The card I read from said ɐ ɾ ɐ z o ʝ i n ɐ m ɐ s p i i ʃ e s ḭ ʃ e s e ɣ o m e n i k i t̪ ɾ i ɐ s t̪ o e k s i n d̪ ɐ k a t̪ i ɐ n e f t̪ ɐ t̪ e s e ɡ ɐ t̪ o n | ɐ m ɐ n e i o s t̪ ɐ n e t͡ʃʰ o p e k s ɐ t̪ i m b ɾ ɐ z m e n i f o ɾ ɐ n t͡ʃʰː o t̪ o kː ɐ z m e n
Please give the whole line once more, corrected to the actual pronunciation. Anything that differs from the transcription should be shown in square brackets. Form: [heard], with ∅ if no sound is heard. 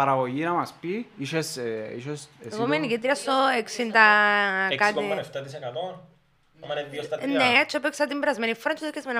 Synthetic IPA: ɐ ɾ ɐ [ɣ] o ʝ i n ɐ m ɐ s p i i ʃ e s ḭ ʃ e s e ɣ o m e n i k i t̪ ɾ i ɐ s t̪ o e k s i n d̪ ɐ k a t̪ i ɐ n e f t̪ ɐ t̪ [i] s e [k] ɐ t̪ o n | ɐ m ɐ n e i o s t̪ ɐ n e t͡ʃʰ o p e k s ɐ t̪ i m b ɾ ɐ z m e n i f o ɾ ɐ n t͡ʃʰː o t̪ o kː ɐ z m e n